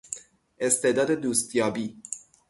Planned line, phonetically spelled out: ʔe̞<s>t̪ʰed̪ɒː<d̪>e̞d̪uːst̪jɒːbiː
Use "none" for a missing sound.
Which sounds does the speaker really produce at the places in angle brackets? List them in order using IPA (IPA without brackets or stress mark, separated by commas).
s, d̪